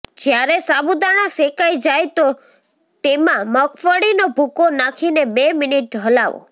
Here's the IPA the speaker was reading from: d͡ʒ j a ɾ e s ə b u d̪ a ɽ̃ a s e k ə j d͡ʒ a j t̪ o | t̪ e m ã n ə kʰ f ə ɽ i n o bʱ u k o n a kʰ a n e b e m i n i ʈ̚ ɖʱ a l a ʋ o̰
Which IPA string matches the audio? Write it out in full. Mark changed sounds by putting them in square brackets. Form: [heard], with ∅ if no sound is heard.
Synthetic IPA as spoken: d͡ʒ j a ɾ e s [a] b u d̪ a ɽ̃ a s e k [a] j d͡ʒ a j t̪ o | t̪ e m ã [m] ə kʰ f ə ɽ i n o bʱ u k o n a kʰ [i] n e b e m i n i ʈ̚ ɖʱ [ə] l a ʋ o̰